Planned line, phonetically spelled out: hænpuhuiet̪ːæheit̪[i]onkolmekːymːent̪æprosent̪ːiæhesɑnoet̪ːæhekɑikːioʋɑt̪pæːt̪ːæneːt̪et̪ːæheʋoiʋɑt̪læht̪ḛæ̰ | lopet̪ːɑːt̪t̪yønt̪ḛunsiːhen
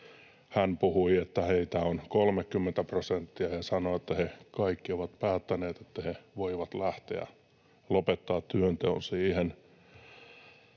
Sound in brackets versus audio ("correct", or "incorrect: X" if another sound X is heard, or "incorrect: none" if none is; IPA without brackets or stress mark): incorrect: æ